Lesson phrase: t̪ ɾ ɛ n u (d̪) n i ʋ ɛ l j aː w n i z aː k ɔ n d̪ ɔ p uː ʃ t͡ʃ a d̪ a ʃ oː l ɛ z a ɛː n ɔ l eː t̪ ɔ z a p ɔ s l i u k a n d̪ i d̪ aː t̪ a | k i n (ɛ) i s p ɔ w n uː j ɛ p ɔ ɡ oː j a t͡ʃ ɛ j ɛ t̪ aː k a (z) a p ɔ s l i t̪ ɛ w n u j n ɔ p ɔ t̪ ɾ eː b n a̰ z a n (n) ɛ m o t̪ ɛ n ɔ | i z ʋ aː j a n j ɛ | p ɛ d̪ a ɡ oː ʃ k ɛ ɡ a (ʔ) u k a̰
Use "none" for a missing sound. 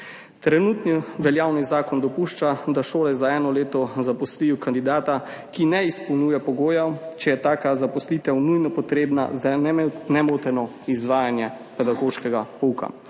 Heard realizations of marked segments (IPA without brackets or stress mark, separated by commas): t̪, ɛ, z, n, p